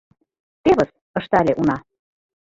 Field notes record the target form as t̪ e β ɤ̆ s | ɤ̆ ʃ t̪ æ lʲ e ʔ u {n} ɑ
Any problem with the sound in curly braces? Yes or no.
no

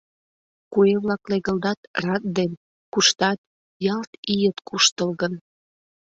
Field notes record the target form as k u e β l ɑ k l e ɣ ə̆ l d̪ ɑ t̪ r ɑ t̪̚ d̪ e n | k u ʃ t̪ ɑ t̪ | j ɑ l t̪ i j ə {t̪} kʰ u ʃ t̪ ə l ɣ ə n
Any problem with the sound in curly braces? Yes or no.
no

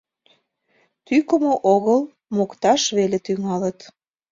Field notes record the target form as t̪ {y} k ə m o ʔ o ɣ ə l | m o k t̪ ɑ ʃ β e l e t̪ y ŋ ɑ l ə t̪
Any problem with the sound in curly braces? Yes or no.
no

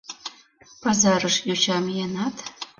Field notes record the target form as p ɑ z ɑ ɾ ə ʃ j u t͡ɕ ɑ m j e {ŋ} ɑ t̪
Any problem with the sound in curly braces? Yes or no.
yes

